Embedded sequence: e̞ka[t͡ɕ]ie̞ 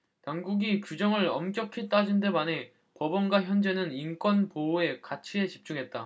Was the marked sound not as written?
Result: yes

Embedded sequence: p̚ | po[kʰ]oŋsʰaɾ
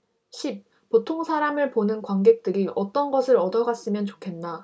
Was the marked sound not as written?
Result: yes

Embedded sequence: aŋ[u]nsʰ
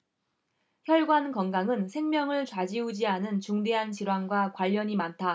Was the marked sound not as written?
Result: yes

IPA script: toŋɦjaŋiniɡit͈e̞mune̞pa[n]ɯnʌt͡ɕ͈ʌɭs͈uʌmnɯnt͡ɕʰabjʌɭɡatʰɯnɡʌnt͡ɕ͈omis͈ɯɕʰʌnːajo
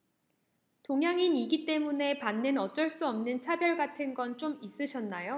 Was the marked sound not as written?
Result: yes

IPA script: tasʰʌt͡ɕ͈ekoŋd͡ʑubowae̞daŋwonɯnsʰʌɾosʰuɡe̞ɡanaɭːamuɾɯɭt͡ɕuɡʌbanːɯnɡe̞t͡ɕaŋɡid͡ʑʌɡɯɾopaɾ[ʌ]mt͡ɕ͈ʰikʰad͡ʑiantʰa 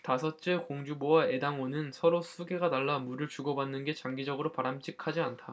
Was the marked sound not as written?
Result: yes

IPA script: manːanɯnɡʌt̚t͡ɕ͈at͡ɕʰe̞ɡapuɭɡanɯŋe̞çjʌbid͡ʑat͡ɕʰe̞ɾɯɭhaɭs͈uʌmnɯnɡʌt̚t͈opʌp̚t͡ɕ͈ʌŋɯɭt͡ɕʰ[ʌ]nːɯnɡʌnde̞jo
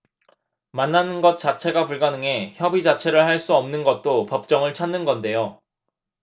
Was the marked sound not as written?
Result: yes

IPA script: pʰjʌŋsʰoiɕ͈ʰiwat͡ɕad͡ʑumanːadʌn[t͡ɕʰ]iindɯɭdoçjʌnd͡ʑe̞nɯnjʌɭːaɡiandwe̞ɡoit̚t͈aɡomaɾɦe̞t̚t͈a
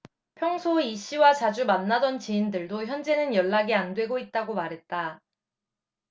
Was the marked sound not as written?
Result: yes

